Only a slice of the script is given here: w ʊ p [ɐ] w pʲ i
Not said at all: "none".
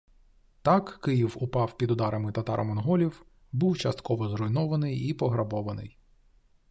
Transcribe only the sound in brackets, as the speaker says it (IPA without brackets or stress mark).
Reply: ɑ